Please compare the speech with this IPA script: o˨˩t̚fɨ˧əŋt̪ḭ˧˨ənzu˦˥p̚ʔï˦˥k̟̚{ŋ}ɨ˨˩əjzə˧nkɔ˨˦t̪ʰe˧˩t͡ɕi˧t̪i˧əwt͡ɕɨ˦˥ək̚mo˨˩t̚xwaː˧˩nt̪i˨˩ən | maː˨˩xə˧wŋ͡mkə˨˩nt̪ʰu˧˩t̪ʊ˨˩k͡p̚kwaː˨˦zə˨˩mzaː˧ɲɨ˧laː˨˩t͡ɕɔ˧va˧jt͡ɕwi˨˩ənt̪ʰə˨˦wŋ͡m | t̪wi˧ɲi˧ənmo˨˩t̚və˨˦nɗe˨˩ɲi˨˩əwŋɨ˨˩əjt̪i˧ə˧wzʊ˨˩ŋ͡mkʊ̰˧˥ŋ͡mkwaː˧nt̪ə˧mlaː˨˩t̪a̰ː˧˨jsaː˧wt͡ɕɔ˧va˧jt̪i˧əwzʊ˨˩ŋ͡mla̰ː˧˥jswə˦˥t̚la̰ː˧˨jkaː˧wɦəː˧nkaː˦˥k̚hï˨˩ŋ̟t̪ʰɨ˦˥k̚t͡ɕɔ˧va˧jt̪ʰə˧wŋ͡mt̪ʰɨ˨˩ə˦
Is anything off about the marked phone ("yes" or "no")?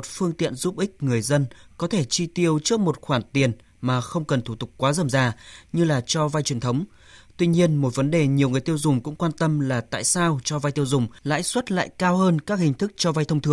no